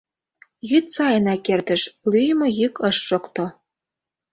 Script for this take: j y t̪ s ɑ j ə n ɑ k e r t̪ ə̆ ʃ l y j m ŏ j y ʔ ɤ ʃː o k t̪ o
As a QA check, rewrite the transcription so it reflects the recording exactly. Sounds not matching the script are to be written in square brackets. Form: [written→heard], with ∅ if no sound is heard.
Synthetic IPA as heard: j y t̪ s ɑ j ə n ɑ k e r t̪ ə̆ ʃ l y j m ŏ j y [ʔ→k] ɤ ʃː o k t̪ o